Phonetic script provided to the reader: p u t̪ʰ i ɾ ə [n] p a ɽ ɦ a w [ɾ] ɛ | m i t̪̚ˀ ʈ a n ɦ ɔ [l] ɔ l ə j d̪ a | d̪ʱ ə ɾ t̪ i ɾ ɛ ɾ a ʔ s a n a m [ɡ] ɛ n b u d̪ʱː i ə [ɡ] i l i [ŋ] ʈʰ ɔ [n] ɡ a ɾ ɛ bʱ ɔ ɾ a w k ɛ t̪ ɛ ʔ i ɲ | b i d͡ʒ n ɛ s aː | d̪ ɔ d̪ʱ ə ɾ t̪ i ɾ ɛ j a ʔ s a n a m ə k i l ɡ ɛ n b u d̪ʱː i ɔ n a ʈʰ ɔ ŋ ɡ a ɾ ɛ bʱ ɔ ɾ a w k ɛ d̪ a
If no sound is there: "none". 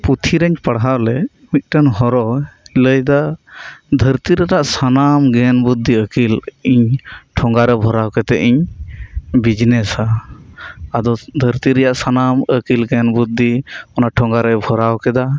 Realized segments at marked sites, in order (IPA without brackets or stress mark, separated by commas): ɲ, l, ɾ, ɡ, k, ɲ, ŋ